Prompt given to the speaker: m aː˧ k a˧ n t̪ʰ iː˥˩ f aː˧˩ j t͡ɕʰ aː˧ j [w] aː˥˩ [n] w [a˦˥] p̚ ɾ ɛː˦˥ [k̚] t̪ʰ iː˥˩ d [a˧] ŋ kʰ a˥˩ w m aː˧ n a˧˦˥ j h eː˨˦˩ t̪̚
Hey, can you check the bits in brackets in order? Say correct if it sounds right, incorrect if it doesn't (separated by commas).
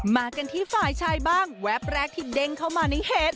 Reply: incorrect, incorrect, incorrect, correct, incorrect